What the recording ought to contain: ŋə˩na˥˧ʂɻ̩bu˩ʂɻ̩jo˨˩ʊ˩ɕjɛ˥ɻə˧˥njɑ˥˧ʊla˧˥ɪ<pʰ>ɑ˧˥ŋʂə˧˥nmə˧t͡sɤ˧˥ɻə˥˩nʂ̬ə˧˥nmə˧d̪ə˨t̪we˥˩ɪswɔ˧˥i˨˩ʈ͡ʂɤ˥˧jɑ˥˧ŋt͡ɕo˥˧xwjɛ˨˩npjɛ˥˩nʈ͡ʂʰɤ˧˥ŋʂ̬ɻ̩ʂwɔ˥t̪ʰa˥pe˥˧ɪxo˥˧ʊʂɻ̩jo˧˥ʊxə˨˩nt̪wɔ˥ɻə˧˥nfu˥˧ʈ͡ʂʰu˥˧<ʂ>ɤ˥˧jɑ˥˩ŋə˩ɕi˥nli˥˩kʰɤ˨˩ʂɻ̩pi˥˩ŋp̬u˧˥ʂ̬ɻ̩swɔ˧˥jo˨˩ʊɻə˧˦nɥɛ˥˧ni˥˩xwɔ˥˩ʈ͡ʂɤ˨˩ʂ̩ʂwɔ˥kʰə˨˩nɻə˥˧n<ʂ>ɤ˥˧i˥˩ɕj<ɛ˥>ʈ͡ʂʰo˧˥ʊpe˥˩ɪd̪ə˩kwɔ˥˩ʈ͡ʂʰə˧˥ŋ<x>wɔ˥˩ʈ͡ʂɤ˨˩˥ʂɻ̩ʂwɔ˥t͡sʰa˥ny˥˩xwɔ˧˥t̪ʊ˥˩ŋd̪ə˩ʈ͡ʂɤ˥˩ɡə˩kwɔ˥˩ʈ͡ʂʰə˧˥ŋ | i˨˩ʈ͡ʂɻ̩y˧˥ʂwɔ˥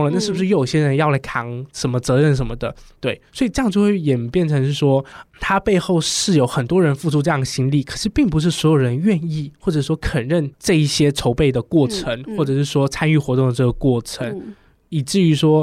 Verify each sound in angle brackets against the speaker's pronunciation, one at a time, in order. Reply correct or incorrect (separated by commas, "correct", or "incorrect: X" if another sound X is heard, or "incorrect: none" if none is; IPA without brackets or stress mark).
incorrect: kʰ, incorrect: ʈ͡ʂ, incorrect: ʈ͡ʂ, correct, correct